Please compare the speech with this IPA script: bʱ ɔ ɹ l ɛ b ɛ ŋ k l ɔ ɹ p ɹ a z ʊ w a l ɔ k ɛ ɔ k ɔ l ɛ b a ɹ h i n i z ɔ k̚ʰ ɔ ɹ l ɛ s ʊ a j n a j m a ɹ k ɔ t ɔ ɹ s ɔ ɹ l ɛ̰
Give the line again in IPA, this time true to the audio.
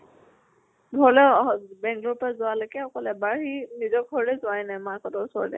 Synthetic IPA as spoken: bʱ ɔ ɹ l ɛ b ɛ ŋ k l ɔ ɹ p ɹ a z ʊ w a l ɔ k ɛ ɔ k ɔ l ɛ b a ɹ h i n i z ɔ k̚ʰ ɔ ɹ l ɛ z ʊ a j n a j m a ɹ k ɔ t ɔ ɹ s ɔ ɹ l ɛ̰